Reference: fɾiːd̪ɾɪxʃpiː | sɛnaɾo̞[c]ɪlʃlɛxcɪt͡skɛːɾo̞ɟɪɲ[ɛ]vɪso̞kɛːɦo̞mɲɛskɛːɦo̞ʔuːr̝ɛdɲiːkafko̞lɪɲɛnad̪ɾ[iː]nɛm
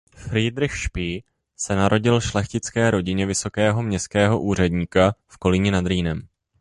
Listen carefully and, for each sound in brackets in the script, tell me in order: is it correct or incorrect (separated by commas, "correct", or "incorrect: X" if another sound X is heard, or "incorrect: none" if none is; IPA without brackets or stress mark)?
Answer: incorrect: ɟ, correct, correct